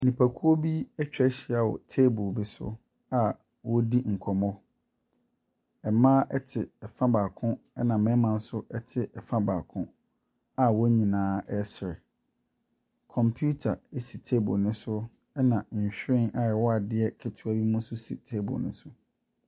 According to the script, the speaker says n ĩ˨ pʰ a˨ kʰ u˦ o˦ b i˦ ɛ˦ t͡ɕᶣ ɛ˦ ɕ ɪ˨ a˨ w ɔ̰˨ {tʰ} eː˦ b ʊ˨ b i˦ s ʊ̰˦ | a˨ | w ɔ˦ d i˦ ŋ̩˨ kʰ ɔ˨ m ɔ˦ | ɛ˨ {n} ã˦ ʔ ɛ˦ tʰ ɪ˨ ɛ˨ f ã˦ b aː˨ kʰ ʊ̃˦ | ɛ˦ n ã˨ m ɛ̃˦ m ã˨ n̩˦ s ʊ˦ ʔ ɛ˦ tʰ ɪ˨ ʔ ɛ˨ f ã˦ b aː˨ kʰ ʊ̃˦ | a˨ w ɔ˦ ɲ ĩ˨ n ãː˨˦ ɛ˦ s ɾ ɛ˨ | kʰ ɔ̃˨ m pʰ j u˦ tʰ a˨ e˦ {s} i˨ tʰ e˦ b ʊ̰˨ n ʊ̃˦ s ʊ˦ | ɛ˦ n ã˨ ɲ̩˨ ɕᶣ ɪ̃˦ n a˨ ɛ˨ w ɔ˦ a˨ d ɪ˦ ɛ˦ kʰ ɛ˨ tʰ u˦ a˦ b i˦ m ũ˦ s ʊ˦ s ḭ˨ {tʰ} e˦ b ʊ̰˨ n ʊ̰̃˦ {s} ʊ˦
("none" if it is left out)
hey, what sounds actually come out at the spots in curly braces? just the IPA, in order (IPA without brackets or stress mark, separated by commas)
tʰ, m, s, tʰ, s